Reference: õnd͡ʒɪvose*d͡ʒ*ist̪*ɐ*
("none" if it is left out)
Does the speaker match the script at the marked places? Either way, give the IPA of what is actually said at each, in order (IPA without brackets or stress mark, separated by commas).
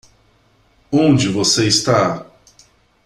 none, a